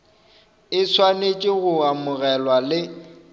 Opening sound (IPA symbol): ɪ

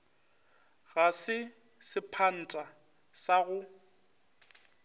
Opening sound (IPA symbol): ɣ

